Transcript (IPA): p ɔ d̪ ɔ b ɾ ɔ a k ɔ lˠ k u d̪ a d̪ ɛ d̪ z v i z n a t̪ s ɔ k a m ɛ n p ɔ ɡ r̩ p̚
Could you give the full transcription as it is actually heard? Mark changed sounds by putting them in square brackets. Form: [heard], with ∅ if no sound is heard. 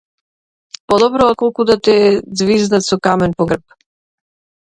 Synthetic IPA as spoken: p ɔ d̪ ɔ b ɾ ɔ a k ɔ lˠ k u d̪ a [t̪] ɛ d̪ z v i z n a t̪ s ɔ k a m ɛ n p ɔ ɡ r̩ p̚